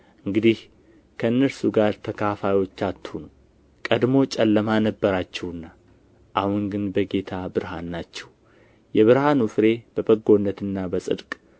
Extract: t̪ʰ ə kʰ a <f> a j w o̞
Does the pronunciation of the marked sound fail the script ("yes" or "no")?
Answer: no